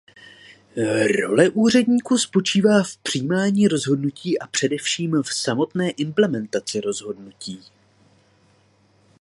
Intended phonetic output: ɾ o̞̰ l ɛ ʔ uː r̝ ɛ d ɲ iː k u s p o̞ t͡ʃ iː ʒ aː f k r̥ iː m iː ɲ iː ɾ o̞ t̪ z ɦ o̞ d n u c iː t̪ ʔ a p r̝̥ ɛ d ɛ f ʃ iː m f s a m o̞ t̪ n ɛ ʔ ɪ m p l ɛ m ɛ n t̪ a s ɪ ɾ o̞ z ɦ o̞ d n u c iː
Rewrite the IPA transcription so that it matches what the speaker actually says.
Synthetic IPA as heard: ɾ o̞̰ l ɛ ʔ uː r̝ ɛ d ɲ iː k u s p o̞ t͡ʃ iː v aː f p r̥ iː m aː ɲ iː ɾ o̞ z ɦ o̞ d n u c iː ʔ a p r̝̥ ɛ d ɛ f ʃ iː m f s a m o̞ t̪ n ɛː ʔ ɪ m p l ɛ m ɛ n t̪ a t͡s ɪ ɾ o̞ z ɦ o̞ d n u c iː

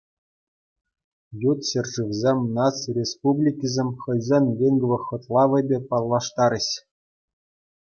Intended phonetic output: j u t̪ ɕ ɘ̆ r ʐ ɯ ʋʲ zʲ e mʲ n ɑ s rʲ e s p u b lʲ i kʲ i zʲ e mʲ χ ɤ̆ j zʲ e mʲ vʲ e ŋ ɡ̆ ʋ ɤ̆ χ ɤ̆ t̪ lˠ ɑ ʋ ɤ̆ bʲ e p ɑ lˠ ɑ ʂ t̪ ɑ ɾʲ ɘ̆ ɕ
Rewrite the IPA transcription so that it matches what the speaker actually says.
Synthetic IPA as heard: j u t̪ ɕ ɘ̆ r ʐ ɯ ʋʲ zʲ e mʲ n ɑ s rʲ e s p u b lʲ i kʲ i zʲ e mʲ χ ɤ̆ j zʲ e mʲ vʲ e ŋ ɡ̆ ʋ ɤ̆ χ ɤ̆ t̪ lˠ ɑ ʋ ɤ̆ bʲ e p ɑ lˠː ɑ ʂ t̪ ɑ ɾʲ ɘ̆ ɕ

